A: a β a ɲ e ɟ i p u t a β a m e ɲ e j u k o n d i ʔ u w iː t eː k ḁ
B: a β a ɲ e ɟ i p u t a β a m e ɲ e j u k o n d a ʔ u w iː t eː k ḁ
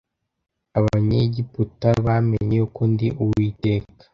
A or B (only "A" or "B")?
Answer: A